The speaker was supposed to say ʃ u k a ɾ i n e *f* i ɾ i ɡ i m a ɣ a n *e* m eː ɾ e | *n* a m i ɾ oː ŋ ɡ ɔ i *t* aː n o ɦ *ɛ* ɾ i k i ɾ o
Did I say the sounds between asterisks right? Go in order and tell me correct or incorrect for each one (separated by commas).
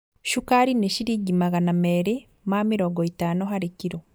incorrect, incorrect, incorrect, correct, incorrect